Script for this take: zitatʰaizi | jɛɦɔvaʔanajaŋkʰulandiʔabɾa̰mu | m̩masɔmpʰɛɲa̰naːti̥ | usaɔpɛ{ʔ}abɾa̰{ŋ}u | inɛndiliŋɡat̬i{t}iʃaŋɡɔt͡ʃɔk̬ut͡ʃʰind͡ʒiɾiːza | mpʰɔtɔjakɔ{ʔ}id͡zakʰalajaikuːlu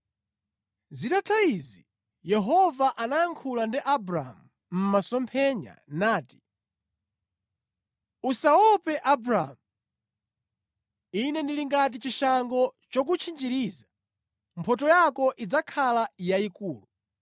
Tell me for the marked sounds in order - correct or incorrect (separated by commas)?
correct, incorrect, incorrect, correct